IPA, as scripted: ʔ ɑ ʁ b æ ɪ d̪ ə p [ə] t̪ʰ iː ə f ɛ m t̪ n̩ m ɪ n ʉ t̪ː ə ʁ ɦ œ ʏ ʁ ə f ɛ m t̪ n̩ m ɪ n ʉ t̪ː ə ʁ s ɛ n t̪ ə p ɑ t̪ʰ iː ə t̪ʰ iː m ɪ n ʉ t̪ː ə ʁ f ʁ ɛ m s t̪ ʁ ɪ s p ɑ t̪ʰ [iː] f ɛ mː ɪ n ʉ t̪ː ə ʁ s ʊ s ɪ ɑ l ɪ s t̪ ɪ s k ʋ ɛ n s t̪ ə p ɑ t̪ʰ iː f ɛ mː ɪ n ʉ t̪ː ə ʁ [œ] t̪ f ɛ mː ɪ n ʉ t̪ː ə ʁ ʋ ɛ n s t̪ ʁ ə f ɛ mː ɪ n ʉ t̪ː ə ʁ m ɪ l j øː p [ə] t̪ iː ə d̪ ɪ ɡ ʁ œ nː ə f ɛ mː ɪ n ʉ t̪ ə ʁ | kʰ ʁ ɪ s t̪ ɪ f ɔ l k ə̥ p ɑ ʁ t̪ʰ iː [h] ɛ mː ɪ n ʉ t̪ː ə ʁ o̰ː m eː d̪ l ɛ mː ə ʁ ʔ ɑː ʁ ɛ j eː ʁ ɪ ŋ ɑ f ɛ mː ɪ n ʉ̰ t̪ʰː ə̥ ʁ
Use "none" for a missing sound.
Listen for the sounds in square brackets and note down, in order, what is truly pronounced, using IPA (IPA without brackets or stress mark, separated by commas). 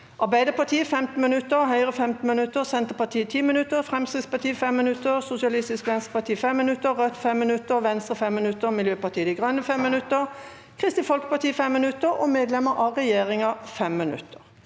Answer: ɑ, iː, œ, ɑ, f